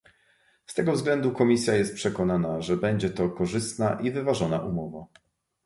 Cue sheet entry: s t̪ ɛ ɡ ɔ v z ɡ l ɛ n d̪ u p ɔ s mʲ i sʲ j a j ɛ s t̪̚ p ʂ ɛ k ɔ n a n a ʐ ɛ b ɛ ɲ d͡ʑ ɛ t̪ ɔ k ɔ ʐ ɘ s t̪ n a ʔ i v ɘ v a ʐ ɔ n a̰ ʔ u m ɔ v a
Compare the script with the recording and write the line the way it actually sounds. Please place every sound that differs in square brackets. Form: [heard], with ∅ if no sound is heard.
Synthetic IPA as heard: s t̪ ɛ ɡ ɔ v z ɡ l ɛ n d̪ u [k] ɔ [∅] mʲ i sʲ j a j ɛ s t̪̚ p ʂ ɛ k ɔ n a n a ʐ ɛ b ɛ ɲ d͡ʑ ɛ t̪ ɔ k ɔ ʐ ɘ s t̪ n a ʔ i v ɘ v a ʐ ɔ n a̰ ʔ u m ɔ v a